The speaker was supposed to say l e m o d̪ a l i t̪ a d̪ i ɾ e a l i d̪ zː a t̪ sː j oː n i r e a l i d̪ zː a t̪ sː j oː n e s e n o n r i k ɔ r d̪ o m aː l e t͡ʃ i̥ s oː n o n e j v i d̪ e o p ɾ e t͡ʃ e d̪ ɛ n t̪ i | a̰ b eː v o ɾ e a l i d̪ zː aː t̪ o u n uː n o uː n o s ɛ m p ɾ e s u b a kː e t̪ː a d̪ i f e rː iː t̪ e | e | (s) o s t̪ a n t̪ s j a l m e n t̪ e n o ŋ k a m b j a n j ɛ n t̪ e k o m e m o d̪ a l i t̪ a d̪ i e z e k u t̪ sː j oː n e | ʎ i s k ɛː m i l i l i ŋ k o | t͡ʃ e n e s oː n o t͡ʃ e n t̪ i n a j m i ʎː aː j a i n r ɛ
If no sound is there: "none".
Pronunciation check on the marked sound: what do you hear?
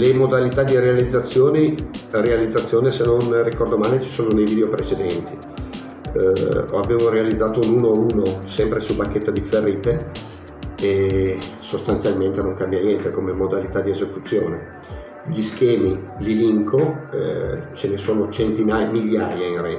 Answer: s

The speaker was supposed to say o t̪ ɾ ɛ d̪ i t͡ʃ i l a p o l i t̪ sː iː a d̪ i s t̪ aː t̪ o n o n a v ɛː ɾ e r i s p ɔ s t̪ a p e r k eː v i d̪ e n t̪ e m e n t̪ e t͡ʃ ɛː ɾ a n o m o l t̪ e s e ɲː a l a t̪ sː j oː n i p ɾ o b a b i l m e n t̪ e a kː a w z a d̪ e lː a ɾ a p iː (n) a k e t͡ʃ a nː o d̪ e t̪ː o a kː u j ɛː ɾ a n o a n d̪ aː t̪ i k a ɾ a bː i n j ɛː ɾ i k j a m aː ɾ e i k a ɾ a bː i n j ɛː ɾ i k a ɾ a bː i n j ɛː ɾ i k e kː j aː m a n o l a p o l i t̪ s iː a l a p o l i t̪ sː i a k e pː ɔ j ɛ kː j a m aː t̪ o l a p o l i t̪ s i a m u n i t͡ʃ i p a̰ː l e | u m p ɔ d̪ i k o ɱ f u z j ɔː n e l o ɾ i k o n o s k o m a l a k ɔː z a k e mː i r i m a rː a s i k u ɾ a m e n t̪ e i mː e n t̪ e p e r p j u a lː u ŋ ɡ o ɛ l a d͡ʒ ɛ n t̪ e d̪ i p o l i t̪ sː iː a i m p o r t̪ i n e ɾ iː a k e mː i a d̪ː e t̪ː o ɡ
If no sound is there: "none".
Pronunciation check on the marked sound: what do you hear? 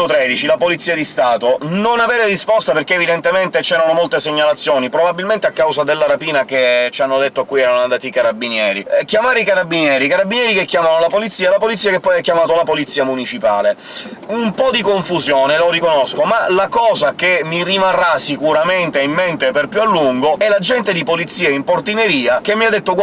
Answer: n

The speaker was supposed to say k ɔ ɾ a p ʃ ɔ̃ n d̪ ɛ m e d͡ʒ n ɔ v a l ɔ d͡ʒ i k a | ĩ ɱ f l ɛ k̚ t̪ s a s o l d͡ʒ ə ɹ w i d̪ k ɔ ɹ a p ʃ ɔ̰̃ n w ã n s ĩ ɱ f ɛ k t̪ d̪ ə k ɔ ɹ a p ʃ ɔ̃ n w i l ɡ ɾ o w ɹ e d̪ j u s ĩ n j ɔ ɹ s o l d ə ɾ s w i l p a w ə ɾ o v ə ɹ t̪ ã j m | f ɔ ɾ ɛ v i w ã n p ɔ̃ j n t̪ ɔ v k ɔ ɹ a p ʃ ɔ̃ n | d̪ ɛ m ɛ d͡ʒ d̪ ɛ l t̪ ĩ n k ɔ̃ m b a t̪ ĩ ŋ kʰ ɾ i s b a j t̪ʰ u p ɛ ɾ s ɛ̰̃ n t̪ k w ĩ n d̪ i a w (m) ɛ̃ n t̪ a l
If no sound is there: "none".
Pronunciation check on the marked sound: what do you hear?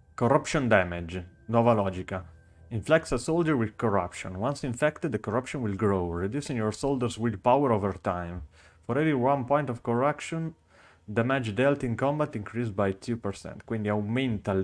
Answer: m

